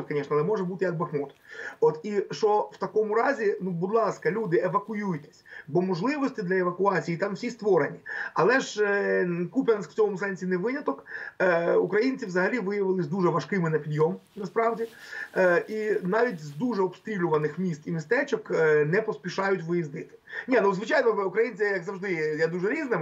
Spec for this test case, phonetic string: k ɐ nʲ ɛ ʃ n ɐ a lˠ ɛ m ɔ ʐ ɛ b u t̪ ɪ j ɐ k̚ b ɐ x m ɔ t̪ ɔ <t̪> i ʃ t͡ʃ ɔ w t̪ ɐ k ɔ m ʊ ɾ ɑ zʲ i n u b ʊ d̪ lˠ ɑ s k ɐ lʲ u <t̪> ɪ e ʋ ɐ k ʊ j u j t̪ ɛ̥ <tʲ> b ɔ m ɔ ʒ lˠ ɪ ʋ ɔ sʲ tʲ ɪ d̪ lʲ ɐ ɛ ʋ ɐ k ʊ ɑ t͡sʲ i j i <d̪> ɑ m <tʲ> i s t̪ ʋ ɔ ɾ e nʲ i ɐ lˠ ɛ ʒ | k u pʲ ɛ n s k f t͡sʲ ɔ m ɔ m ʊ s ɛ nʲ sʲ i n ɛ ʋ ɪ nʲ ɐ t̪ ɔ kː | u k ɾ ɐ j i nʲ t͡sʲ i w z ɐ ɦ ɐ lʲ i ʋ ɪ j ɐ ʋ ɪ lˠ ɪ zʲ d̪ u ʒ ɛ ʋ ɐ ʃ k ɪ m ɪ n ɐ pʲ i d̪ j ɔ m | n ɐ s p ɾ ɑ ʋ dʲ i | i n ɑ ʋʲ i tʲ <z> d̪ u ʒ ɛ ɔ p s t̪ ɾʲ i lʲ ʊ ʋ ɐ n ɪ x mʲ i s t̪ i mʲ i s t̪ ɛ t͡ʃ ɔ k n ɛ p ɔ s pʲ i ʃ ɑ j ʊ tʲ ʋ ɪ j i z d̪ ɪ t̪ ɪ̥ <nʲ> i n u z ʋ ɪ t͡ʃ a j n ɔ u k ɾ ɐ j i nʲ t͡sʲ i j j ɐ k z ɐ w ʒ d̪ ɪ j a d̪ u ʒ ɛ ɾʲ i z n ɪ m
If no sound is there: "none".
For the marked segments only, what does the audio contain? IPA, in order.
t̪, d̪, sʲ, t̪, sʲ, z, nʲ

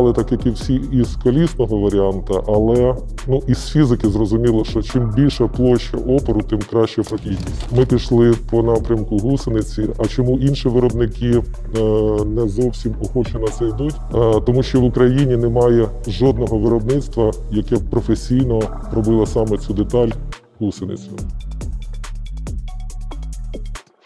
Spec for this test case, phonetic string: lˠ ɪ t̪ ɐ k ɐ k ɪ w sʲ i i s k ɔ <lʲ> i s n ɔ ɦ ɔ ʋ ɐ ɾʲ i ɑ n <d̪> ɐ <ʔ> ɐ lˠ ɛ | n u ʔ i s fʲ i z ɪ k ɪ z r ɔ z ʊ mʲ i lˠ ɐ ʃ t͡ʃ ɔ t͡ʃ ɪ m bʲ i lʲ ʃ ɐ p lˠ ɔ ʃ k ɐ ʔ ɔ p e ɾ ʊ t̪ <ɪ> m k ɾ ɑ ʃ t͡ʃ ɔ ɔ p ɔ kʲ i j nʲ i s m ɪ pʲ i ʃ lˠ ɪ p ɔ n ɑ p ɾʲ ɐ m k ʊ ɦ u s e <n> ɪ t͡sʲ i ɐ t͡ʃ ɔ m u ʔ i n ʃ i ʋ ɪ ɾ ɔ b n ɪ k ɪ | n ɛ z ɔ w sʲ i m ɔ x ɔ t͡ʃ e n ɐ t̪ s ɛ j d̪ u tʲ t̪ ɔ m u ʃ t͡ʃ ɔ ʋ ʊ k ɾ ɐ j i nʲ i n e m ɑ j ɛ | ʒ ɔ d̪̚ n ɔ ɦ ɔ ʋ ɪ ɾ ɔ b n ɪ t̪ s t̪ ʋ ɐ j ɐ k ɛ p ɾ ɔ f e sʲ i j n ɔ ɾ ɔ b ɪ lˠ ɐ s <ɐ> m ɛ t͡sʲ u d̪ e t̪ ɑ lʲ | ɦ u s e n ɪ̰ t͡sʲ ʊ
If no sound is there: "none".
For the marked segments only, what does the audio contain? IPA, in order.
lʲ, t̪, ʔ, ɪ, n, ɑ

